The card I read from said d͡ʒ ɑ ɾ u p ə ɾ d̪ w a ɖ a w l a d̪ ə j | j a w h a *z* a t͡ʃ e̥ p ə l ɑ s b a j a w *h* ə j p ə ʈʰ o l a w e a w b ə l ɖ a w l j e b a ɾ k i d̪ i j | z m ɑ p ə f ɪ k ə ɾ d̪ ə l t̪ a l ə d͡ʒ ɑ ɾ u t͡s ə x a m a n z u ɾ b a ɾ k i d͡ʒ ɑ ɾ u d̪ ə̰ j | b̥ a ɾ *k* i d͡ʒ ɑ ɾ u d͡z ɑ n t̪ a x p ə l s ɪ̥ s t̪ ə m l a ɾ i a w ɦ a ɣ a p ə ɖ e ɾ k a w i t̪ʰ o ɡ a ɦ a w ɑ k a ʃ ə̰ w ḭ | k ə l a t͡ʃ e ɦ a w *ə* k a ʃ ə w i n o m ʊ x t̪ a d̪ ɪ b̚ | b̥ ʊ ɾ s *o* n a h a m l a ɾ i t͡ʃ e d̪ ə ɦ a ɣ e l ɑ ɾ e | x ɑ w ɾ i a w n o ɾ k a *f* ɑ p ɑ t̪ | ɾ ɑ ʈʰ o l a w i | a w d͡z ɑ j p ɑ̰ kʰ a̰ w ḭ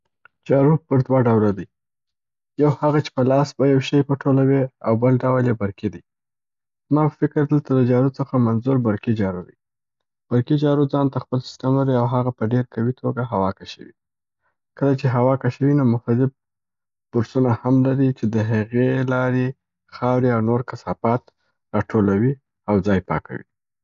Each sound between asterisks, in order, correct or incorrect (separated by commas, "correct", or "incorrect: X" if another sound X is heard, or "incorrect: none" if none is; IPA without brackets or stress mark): incorrect: ɣ, incorrect: ʃ, correct, incorrect: ɑ, incorrect: u, incorrect: s